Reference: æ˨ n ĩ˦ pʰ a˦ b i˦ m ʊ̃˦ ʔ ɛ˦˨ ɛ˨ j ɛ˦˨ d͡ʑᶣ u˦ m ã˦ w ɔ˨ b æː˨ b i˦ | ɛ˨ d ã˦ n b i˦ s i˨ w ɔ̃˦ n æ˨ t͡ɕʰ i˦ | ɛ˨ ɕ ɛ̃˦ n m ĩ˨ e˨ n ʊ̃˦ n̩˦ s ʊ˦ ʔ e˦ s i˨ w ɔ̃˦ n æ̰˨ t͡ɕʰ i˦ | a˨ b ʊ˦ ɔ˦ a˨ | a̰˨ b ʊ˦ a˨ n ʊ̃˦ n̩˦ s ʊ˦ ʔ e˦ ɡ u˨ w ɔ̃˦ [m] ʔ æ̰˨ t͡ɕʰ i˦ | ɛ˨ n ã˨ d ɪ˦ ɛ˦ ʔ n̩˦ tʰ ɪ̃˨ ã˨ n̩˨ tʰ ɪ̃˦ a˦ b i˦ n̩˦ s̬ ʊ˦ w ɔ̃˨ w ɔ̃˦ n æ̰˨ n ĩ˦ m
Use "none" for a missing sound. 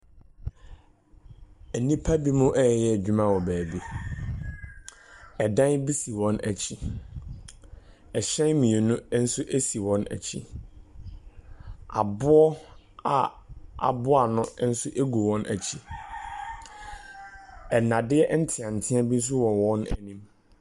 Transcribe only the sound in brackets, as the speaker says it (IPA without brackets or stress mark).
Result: n